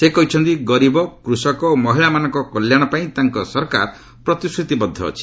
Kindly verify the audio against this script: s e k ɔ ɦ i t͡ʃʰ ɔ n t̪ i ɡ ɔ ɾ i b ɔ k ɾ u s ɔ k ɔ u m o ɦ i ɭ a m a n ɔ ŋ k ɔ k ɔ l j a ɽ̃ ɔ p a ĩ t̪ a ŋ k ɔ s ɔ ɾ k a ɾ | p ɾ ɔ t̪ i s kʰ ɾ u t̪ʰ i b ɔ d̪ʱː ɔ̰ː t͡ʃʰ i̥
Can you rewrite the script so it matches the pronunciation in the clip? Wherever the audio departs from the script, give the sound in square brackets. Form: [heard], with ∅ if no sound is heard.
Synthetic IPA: s e k ɔ ɦ i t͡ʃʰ ɔ n t̪ i ɡ ɔ ɾ i b ɔ k ɾ u s ɔ k ɔ [o] m [ɔ] ɦ i ɭ a m a n ɔ ŋ k ɔ k ɔ l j a ɽ̃ ɔ p a ĩ t̪ a ŋ k ɔ s ɔ ɾ k a ɾ | p ɾ ɔ t̪ i s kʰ ɾ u [t̪] i b ɔ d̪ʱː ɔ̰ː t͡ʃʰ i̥

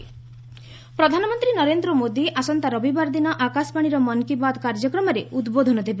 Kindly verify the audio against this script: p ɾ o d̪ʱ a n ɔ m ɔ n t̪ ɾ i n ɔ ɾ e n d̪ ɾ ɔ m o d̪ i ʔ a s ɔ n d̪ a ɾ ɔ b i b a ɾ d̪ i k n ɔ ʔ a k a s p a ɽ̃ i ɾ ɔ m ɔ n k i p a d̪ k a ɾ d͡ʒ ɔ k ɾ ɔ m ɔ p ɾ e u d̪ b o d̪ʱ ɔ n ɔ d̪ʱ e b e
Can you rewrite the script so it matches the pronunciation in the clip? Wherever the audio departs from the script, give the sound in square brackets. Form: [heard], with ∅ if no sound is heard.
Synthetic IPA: p ɾ [ɔ] d̪ʱ a n ɔ m ɔ n t̪ ɾ i n ɔ ɾ e n d̪ ɾ ɔ m o d̪ i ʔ a s ɔ n [t̪] a ɾ ɔ b i b a ɾ d̪ i [∅] n ɔ ʔ a k a s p a ɽ̃ i ɾ ɔ m ɔ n k i [b] a d̪ k a ɾ d͡ʒ ɔ k ɾ ɔ m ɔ [∅] ɾ e u d̪ b o d̪ʱ ɔ n ɔ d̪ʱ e b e

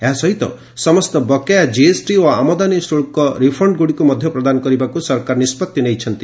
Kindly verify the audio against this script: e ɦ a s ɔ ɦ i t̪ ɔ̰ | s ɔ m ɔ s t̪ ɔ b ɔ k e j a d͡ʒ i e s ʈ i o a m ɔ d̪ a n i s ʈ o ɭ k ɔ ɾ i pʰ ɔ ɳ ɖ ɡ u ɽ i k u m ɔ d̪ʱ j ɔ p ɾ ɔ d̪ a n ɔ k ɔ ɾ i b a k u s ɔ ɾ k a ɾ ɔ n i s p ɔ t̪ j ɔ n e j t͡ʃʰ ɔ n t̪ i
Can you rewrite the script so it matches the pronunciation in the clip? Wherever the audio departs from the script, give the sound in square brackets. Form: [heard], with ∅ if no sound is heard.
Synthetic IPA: e ɦ a s ɔ ɦ i t̪ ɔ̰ | s ɔ m ɔ s t̪ ɔ b ɔ k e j a d͡ʒ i e s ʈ i o a m ɔ d̪ a n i s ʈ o ɭ k ɔ ɾ i pʰ ɔ ɳ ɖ ɡ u ɽ i k u m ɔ d̪ʱ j ɔ p ɾ ɔ d̪ a n ɔ k ɔ ɾ i b a k u s ɔ ɾ k a ɾ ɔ n i s p ɔ t̪ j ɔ n e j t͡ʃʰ ɔ n t̪ i

